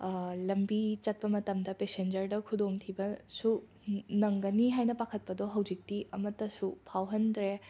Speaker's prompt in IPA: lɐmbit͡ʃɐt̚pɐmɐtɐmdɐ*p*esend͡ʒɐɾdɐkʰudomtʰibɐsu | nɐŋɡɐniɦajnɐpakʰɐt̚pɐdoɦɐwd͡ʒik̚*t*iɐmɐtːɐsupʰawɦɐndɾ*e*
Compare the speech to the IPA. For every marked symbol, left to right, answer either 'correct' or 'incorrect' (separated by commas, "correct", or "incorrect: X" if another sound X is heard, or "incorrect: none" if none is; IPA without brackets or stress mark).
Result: correct, correct, correct